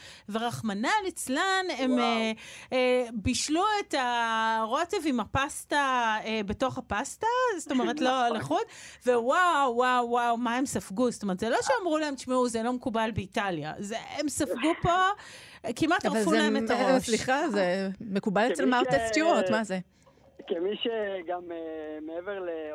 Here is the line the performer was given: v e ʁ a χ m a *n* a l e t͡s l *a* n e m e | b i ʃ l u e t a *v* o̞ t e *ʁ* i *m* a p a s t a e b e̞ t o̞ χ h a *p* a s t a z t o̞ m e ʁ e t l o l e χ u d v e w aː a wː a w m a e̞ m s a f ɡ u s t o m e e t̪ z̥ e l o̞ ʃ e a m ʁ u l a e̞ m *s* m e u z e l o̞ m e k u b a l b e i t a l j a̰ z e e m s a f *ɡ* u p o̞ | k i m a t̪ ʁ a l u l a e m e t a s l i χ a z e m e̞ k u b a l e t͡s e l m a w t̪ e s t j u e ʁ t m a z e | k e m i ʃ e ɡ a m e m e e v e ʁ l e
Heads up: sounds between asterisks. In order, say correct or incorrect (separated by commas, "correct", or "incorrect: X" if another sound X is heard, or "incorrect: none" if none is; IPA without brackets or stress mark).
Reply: correct, correct, incorrect: ʁ, incorrect: v, correct, correct, incorrect: ʃ, correct